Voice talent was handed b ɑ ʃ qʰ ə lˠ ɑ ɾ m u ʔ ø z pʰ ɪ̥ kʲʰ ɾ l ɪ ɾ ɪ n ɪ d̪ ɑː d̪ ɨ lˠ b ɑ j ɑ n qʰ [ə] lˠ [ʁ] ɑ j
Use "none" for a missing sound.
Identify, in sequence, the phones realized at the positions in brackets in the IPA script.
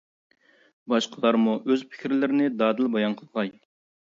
ə, ʁ

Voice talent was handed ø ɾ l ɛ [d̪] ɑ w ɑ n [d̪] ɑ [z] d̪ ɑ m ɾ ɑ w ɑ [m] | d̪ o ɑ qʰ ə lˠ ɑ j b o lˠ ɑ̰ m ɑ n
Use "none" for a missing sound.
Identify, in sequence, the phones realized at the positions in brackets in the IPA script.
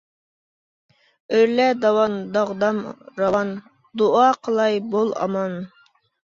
d̪, d̪, ʁ, n

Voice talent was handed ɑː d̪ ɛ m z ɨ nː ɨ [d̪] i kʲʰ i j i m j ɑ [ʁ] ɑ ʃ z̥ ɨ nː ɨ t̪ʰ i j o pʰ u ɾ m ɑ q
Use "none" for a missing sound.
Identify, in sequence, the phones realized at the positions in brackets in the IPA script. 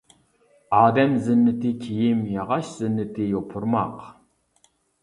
t̪, ʁ

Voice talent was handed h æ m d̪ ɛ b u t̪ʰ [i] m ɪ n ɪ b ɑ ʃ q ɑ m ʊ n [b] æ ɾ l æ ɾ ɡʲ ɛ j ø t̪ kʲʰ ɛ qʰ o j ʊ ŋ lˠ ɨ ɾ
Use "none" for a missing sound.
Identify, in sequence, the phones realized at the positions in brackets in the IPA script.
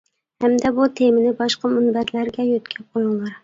e, b

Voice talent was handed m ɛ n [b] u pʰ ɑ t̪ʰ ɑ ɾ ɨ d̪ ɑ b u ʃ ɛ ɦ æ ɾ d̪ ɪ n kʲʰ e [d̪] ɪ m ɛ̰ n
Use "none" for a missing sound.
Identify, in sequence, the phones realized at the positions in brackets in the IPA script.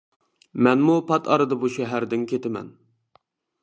m, t̪

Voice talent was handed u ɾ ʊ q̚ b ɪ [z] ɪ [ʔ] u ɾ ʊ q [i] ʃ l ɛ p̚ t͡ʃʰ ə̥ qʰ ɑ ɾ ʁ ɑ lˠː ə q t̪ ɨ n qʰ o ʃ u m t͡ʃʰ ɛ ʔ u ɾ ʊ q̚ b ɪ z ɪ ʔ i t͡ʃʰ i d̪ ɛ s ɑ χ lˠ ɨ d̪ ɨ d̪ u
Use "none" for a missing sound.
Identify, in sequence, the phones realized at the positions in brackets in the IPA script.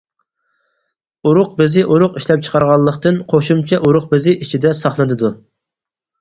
z, ʔ, i

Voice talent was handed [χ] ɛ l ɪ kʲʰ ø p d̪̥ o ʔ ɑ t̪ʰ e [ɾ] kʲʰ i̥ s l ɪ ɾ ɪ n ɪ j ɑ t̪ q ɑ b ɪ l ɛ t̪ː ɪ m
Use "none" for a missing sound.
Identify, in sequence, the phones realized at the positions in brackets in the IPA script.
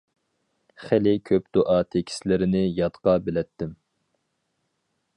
χ, none

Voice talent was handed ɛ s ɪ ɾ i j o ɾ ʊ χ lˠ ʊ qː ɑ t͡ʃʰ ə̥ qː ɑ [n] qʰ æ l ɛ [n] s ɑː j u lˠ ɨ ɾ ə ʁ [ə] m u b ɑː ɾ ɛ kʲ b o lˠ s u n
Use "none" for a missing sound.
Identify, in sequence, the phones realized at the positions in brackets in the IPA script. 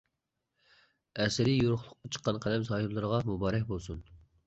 n, m, ɑ

